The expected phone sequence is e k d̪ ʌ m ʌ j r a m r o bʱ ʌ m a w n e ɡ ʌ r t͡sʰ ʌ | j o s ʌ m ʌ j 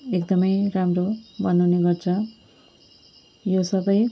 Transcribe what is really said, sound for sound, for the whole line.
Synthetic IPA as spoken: e k d̪ ʌ m ʌ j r a m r o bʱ ʌ n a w n e ɡ ʌ r t͡sʰ ʌ | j o s ʌ b ʌ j